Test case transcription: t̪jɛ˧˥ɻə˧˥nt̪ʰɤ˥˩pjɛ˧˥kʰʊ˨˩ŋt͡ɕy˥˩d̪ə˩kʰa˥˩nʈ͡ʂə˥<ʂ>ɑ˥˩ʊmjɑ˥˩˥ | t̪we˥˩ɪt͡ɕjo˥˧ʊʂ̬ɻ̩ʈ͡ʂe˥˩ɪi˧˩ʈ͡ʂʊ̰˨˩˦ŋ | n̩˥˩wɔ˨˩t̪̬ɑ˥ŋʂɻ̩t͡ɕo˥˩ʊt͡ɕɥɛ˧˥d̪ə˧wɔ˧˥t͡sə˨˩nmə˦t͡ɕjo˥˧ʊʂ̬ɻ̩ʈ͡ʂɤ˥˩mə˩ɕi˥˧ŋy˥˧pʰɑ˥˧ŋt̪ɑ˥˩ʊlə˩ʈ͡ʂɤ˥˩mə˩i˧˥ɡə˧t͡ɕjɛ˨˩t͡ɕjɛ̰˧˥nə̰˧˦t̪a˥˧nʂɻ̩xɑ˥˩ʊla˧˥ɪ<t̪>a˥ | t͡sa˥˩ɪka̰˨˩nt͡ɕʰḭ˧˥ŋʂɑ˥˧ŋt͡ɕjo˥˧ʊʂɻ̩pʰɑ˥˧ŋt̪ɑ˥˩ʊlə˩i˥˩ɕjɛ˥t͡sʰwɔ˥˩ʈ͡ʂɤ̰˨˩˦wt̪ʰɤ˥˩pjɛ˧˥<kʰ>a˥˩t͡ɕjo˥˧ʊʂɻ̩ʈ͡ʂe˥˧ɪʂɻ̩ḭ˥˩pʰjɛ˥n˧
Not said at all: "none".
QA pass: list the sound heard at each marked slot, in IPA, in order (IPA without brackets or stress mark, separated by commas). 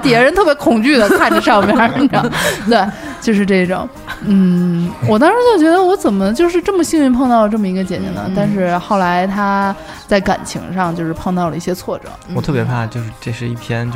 ʂ, t̪ʰ, pʰ